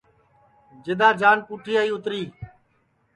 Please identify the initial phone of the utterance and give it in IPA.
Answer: d͡ʒ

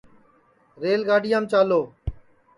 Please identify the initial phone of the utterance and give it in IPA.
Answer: ɾ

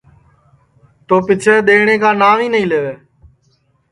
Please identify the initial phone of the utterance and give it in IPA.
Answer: t̪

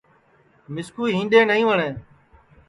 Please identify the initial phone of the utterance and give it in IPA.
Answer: m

